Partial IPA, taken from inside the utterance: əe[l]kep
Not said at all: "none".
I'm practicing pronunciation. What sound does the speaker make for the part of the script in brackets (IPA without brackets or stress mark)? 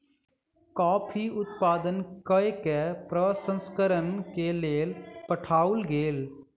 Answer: none